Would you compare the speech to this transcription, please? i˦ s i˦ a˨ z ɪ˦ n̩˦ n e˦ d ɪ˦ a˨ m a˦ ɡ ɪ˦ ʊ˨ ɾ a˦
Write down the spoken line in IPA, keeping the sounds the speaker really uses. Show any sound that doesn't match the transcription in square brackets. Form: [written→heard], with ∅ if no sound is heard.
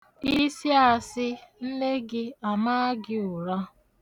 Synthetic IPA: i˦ s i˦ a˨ [z→s] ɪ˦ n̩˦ n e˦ [d→ɡ] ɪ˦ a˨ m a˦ ɡ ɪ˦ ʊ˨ ɾ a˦